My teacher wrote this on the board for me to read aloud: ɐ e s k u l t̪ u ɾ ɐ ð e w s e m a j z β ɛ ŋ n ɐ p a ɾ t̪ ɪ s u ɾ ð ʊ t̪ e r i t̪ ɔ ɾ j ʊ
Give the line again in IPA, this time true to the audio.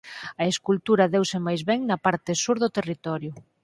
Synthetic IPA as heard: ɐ e s k u l t̪ u ɾ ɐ ð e w s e m a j z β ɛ ŋ n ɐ p a ɾ t̪ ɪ s u ɾ ð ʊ t̪ e r i t̪ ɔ ɾ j ʊ